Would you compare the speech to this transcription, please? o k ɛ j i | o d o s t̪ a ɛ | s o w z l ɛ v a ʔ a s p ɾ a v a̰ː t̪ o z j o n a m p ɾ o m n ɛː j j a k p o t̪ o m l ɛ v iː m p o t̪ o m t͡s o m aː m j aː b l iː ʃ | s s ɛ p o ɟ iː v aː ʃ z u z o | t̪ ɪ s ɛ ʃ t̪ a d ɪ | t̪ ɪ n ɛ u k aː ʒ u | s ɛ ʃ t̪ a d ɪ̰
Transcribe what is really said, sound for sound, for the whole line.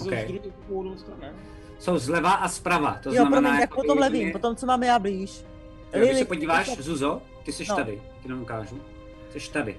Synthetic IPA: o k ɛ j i | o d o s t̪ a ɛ | s o w z l ɛ v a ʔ a s p ɾ a v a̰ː t̪ o z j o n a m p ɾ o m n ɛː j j a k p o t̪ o m l ɛ v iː m p o t̪ o m t͡s o m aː m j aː b l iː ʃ | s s ɛ p o ɟ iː v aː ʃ z u z o | t̪ ɪ s ɛ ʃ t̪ a d ɪ | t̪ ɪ n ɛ u k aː ʒ u | s ɛ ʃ t̪ a d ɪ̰